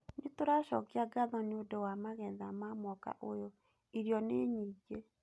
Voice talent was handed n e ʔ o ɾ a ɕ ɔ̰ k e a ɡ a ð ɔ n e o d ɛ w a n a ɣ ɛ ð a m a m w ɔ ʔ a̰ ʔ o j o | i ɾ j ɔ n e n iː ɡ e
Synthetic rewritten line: n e t o ɾ a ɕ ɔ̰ k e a ɡ a ð ɔ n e o d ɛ w a m a ɣ ɛ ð a m a m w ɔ k a̰ ʔ o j o | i ɾ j ɔ n e ɲ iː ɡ e